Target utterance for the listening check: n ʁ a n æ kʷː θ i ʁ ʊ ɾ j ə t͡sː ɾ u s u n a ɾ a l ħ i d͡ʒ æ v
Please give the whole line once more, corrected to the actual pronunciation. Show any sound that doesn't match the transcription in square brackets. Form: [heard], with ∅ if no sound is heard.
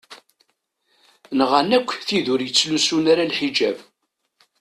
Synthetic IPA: n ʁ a n æ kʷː θ i [ð] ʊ ɾ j ə t͡sː [l] u s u n a ɾ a l ħ i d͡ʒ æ v